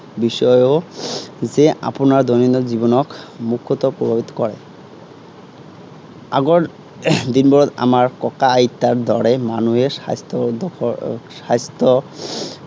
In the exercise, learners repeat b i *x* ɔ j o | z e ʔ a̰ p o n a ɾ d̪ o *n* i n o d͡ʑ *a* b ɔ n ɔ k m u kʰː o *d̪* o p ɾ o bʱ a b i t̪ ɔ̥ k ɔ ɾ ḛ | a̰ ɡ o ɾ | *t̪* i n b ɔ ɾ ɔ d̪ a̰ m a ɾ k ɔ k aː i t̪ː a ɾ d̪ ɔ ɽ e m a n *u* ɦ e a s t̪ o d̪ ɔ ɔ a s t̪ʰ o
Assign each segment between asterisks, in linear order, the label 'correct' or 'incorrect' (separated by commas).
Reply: incorrect, correct, incorrect, incorrect, incorrect, correct